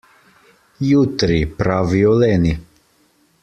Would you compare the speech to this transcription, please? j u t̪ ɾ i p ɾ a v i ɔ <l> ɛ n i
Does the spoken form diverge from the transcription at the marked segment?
no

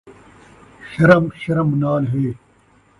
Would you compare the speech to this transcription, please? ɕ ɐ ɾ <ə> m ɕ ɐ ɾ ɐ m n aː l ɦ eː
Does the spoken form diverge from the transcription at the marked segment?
yes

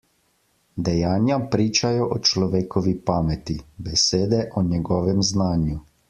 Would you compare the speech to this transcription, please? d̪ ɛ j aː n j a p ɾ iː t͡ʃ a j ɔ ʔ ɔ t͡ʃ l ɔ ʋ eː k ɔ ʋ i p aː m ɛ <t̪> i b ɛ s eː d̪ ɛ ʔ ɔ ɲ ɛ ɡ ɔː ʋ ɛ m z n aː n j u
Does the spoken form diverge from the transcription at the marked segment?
no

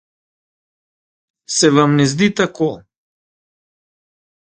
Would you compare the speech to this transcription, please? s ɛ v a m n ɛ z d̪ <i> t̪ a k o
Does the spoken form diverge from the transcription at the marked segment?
no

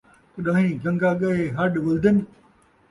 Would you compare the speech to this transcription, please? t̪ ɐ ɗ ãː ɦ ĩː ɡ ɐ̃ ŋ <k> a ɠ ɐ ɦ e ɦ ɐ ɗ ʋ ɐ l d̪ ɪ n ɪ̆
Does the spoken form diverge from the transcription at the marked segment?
yes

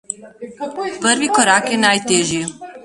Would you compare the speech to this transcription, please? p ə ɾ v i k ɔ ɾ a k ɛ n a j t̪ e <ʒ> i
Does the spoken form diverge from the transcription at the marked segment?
no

